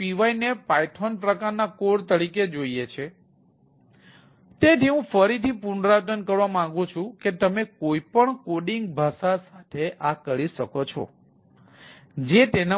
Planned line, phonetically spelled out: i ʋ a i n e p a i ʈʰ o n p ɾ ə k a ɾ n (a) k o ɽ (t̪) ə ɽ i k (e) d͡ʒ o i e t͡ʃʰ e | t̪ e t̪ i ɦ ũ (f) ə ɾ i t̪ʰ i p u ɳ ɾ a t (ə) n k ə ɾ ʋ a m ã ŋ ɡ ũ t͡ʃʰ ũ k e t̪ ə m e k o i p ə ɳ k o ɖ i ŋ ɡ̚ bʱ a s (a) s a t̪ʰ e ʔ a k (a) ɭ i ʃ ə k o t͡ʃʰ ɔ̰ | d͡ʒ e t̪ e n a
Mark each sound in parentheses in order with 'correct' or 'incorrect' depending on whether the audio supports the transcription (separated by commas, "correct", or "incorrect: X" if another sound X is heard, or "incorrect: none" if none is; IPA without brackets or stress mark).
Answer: correct, correct, correct, correct, correct, correct, incorrect: ə